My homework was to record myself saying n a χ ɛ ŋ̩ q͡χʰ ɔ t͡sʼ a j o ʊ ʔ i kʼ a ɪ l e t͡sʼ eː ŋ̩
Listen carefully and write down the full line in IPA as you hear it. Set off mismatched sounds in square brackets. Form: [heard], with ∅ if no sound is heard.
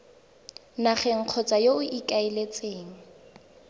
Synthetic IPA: n a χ ɛ ŋ̩ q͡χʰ ɔ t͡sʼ a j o ʊ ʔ i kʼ a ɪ l e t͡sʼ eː ŋ̩

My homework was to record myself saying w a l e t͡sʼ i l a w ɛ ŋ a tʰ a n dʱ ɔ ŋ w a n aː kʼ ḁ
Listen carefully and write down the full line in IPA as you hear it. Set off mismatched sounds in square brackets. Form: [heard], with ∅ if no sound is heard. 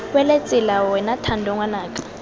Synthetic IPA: w [ɛ] l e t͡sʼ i l a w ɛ [n] a tʰ a n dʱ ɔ ŋ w a n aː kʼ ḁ

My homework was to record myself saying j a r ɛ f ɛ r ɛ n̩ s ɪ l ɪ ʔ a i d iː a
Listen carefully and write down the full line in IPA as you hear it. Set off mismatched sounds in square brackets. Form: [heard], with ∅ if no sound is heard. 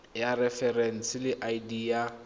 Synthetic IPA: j a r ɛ f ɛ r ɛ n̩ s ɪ l ɪ ʔ a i d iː a

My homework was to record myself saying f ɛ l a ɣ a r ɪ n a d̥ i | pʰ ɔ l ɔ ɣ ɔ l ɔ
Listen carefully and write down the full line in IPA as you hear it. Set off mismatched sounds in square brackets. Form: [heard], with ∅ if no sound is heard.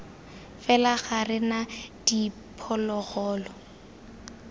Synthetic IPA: f ɛ l a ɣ a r ɪ n a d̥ i | pʰ ɔ l ɔ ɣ [ɔː] l ɔ

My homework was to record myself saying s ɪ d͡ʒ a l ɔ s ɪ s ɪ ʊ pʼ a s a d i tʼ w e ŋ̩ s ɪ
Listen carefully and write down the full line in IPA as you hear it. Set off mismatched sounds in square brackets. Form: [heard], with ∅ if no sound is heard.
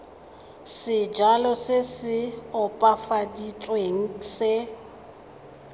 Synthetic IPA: s ɪ d͡ʒ a l ɔ s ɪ s ɪ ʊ pʼ a [f] a d i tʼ w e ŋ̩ s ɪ

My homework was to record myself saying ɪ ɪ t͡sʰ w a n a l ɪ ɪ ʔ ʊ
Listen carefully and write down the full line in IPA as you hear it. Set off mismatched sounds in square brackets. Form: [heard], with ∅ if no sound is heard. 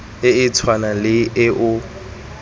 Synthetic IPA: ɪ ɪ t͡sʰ w a n a l ɪ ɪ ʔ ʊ

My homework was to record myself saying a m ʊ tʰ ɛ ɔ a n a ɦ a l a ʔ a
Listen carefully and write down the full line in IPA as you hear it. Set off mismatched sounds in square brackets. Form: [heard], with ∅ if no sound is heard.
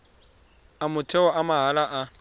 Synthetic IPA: a m ʊ tʰ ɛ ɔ a [m] a ɦ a l a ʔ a

